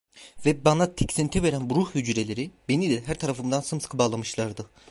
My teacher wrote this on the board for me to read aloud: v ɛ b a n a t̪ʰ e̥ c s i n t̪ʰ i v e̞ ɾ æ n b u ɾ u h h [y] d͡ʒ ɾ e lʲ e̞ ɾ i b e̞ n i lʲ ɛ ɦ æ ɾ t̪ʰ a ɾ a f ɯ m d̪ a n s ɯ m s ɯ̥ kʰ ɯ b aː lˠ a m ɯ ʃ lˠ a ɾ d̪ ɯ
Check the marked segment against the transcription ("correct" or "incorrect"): correct